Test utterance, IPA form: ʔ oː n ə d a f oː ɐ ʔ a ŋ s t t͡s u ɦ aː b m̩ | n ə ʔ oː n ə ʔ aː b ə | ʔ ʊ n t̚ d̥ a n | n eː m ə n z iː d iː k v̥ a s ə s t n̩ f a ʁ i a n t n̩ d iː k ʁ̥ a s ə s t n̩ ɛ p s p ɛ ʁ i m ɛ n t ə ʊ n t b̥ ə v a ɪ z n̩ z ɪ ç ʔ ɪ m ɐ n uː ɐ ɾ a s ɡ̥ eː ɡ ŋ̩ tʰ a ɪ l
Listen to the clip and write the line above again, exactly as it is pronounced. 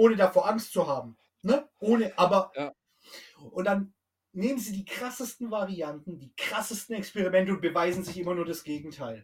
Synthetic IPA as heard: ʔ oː n ə d a f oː ɐ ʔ a ŋ s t t͡s u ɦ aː b m̩ | n ə ʔ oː n ə ʔ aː b ɐ | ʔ ʊ n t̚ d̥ a n | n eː m ə n z iː d iː k ʁ̥ a s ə s t n̩ v a ʁ i a n t n̩ d iː k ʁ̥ a s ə s t n̩ ɛ k s p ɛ ʁ i m ɛ n t ə ʊ n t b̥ ə v a ɪ z n̩ z ɪ ç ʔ ɪ m ɐ n uː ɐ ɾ a s ɡ̥ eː ɡ ŋ̩ tʰ a ɪ l